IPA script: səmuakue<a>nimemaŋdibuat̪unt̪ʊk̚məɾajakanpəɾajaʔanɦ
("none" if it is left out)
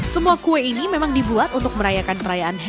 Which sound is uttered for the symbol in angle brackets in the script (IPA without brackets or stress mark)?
i